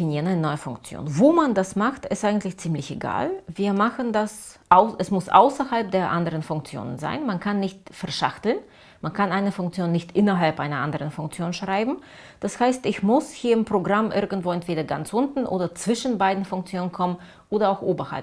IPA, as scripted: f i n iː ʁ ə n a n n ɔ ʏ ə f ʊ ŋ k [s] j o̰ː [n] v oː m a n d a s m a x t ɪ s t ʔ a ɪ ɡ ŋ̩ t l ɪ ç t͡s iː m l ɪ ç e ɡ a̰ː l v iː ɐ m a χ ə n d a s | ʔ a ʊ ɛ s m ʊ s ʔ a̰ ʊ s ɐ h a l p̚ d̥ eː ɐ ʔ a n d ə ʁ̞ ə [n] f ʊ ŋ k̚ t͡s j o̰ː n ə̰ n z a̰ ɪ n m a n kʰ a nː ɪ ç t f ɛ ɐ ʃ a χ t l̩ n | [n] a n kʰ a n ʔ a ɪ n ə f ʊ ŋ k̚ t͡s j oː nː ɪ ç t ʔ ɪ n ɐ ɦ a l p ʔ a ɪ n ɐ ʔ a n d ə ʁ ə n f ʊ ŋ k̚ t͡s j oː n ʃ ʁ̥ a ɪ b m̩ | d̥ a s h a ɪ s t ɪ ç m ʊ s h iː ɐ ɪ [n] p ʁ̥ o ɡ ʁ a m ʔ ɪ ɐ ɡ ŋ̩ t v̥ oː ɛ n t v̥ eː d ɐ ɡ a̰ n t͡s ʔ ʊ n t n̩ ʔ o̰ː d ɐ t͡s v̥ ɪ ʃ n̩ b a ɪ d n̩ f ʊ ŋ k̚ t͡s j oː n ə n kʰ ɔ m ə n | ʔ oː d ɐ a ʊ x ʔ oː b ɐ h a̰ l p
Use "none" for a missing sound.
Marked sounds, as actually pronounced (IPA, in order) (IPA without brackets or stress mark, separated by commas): t͡s, n, n, m, m